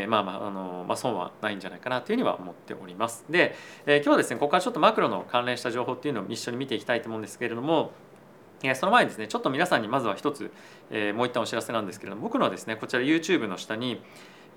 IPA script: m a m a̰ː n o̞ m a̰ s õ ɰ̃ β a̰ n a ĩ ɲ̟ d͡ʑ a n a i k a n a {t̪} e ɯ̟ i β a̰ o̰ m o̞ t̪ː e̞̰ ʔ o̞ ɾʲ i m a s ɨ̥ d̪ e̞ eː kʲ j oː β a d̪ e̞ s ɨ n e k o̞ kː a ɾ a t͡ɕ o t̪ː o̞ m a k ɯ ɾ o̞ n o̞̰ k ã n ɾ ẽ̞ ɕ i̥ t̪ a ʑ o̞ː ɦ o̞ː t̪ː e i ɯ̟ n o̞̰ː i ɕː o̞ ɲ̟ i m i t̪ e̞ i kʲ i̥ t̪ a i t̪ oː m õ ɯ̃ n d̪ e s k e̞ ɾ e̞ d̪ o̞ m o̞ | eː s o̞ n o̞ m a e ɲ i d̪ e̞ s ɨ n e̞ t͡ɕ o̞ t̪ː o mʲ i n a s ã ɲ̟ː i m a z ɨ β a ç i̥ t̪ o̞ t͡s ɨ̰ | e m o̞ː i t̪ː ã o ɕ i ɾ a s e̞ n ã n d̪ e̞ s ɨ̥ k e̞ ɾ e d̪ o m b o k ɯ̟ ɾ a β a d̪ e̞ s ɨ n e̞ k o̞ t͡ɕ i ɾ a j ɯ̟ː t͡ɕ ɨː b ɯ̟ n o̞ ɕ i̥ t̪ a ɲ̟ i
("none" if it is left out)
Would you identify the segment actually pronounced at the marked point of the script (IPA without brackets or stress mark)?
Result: t̪